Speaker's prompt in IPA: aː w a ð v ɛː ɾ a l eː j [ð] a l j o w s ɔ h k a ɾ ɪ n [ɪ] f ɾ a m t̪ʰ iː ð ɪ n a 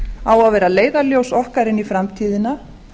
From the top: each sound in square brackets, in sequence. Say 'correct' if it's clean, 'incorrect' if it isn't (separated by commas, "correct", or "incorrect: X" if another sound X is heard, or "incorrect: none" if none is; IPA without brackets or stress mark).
correct, incorrect: i